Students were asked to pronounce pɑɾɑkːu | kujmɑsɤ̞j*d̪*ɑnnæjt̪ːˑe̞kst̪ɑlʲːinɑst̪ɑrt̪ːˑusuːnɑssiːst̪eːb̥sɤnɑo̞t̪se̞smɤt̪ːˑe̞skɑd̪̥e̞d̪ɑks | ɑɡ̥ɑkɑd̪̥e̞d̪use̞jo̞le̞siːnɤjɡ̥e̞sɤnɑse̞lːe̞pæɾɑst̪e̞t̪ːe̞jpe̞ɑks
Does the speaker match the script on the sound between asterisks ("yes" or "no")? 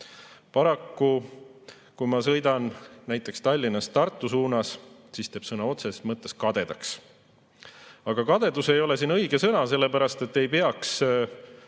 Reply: yes